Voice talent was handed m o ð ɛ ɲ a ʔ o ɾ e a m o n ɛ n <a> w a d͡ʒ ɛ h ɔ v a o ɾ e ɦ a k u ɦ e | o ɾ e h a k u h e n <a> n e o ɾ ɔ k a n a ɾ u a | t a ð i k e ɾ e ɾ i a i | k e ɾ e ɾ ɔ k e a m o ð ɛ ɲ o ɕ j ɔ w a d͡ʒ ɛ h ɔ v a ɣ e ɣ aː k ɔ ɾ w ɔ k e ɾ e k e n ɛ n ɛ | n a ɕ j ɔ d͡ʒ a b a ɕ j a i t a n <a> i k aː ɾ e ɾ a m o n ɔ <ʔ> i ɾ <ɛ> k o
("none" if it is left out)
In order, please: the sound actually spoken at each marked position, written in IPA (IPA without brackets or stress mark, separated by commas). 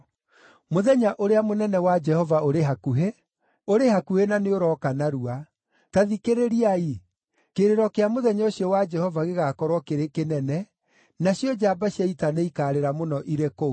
ɛ, a, e, ʔ, e